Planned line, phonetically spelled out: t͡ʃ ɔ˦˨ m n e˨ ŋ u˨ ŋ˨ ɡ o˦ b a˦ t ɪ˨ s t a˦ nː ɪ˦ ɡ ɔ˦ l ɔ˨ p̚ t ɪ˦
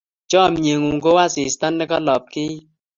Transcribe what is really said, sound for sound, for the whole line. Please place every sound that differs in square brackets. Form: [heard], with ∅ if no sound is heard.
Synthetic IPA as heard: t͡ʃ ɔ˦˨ m [ɲ] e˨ ŋ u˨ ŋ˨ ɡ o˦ [w] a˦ [s] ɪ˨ s t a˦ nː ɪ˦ [k] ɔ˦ l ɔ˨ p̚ [k] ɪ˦